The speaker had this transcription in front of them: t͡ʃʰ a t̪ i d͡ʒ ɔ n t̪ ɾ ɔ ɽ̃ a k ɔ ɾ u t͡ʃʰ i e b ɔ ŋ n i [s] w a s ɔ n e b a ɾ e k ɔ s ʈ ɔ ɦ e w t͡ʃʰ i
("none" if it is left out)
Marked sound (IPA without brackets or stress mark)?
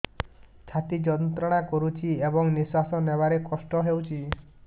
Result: s